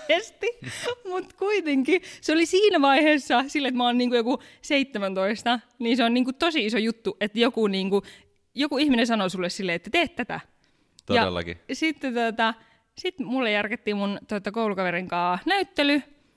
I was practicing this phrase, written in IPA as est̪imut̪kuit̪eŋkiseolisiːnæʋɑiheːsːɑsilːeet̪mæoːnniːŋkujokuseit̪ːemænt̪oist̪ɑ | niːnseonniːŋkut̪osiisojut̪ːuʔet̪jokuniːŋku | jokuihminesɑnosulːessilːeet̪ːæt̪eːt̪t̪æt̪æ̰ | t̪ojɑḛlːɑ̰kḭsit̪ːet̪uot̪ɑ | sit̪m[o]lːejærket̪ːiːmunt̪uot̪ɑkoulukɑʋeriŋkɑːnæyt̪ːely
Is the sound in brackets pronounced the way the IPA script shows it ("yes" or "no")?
no